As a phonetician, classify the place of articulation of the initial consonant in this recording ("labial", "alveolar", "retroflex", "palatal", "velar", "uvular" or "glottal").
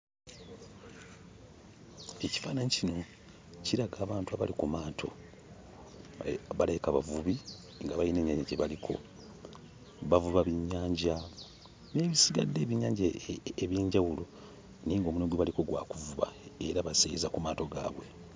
palatal